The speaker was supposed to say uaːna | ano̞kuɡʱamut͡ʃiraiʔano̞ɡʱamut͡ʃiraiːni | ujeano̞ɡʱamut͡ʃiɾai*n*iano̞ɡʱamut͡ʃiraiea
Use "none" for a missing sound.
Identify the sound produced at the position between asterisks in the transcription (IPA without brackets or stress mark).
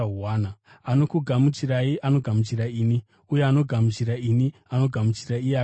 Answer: n